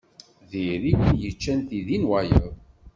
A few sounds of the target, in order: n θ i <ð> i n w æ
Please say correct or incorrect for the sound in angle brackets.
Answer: correct